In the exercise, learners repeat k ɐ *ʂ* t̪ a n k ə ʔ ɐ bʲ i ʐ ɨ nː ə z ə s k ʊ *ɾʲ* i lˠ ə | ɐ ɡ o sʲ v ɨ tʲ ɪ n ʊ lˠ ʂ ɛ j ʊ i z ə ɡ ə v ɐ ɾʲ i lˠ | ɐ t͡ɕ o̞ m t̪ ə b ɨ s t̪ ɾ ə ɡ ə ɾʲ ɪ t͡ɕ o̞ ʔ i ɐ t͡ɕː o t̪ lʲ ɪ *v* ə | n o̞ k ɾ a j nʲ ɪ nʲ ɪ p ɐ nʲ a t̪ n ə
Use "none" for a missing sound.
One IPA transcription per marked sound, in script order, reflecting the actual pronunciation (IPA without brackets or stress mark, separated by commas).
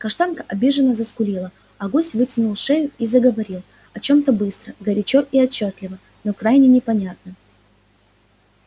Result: ʂ, lʲ, v